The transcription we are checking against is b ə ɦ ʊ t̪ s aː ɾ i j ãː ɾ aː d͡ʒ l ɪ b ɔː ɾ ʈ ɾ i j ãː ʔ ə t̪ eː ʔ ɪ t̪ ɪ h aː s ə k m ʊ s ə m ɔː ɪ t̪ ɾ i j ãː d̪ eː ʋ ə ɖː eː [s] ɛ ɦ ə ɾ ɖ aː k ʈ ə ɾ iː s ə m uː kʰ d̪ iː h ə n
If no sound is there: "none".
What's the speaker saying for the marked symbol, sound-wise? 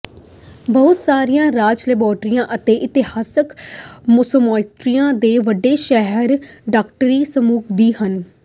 ʃ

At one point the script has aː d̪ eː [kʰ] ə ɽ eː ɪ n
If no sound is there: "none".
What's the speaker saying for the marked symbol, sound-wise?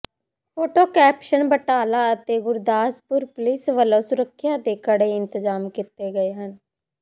k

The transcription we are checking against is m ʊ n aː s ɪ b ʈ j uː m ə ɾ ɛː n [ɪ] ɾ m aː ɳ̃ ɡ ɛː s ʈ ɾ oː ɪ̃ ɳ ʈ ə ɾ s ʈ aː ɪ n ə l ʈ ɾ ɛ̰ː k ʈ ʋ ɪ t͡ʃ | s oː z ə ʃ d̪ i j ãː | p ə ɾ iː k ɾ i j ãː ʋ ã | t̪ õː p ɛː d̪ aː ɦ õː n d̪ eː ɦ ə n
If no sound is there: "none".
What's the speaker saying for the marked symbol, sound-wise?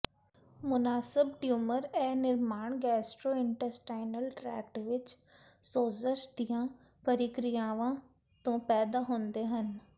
ɪ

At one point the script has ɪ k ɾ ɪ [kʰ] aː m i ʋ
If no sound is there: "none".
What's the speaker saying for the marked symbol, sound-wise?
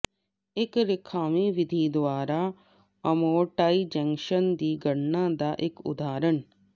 kʰ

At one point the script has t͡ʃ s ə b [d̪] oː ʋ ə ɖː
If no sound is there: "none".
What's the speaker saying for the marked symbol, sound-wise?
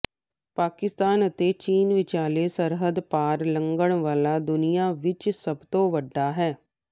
t̪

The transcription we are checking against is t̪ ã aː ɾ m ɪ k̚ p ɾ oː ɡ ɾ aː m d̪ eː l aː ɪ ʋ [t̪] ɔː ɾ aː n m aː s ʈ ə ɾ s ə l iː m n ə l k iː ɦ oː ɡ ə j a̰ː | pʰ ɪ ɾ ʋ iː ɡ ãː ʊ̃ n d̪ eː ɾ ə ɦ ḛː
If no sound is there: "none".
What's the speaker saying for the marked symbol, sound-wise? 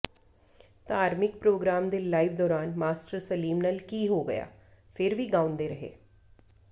d̪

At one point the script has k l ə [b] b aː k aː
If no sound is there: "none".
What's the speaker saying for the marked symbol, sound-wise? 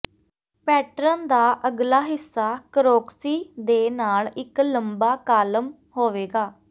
m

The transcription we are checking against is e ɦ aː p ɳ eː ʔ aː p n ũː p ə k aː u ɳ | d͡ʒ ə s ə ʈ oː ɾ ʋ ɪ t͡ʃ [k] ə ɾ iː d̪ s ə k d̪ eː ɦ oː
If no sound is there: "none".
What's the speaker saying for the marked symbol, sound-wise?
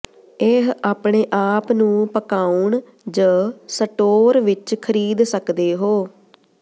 kʰ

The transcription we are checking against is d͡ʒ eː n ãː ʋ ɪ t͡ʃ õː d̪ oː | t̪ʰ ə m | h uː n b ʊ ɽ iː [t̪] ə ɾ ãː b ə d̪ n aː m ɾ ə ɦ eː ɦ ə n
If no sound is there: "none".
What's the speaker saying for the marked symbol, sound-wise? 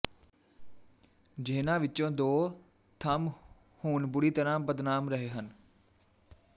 t̪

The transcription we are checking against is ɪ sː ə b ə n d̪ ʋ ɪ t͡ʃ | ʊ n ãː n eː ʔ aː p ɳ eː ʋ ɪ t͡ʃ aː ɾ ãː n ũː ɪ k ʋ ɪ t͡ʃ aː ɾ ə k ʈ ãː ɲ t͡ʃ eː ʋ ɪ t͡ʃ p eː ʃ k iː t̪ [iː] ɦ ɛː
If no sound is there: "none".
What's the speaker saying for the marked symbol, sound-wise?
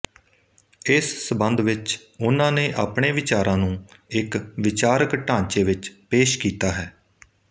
aː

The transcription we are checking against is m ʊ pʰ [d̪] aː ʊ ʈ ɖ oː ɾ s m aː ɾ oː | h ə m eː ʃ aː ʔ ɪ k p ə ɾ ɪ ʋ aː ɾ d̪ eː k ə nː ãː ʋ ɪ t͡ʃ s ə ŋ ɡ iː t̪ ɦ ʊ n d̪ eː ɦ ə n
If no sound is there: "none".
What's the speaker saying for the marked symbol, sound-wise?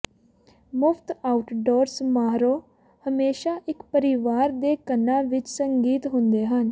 t̪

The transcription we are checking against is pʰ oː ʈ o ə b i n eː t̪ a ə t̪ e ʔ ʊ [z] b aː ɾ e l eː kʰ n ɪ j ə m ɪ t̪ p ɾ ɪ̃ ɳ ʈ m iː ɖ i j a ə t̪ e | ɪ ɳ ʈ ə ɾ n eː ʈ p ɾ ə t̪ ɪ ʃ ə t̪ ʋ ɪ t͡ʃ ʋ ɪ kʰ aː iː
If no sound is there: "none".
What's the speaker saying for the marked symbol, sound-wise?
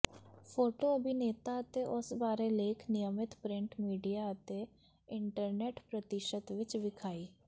s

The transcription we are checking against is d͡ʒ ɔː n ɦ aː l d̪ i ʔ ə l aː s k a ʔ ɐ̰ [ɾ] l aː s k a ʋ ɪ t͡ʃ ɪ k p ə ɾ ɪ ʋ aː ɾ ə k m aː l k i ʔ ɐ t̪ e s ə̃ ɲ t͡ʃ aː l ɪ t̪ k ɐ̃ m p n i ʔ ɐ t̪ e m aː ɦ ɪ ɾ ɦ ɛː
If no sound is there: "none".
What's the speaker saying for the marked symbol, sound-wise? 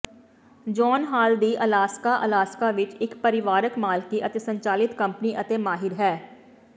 none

